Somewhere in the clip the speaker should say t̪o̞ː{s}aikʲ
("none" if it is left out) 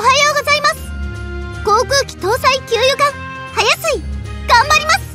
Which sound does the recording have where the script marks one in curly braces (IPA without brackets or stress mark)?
s